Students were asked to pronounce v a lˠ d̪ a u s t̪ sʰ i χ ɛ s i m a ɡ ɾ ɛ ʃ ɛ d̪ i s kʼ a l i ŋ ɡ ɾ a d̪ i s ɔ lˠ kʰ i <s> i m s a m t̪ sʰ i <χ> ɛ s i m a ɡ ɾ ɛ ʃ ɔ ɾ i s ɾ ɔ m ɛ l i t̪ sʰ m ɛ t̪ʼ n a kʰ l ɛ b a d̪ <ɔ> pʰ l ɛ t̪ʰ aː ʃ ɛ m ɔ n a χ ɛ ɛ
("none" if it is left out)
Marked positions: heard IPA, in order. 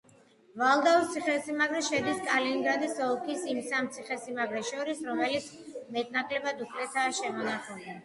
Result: s, χ, u

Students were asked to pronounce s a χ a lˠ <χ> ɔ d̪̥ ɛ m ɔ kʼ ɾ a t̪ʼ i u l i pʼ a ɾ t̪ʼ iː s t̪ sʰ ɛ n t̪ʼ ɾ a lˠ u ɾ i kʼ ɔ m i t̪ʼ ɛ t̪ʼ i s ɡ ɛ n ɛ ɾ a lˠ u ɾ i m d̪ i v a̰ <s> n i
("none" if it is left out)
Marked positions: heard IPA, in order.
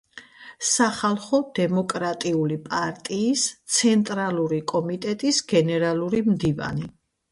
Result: χ, none

